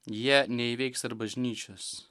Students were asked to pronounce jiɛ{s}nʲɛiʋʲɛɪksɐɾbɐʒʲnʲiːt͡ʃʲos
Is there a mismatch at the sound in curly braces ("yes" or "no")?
yes